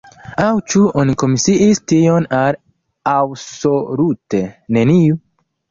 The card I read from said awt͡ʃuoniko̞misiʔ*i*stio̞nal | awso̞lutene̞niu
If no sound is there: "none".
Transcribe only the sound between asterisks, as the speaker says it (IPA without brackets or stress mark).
i